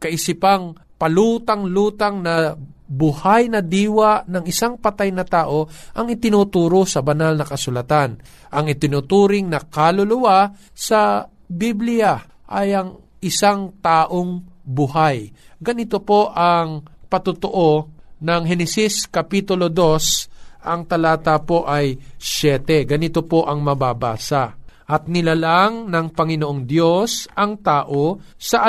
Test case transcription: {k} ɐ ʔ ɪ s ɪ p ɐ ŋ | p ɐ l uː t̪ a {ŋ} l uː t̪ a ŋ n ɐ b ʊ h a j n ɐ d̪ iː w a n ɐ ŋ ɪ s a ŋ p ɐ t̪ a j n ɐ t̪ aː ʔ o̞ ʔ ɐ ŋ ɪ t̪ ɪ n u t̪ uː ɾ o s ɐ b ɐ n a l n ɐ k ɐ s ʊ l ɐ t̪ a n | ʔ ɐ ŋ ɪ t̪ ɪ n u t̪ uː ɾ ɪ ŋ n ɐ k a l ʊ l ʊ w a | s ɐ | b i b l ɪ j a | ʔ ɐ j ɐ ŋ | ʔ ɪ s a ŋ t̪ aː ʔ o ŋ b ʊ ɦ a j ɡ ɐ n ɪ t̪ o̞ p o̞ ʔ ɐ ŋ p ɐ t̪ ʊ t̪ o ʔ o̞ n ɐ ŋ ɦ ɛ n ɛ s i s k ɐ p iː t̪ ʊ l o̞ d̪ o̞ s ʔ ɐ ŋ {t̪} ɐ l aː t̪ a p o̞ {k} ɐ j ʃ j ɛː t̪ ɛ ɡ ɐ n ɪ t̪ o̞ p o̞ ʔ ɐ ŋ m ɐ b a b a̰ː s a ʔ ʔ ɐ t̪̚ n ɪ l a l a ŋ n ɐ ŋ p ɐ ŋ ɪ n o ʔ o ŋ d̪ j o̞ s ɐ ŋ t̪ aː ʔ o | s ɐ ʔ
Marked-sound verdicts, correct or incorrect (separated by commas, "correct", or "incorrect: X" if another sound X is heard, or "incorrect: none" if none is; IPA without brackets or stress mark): correct, correct, correct, incorrect: ʔ